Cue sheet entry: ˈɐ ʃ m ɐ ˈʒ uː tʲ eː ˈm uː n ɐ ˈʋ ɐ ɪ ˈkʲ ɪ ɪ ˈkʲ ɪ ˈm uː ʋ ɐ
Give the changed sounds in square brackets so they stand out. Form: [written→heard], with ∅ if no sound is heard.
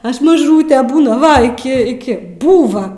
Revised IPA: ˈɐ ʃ m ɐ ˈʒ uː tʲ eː [ˈm→ˈb] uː n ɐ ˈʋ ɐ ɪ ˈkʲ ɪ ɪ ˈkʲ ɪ [ˈm→ˈb] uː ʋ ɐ